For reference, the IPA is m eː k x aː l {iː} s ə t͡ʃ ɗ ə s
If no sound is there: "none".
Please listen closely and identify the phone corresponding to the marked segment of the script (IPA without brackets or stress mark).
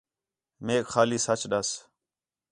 iː